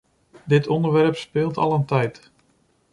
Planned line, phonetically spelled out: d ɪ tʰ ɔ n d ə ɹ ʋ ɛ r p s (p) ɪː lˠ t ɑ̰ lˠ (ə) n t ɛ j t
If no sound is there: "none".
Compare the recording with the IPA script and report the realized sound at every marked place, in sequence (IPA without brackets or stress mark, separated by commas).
p, ə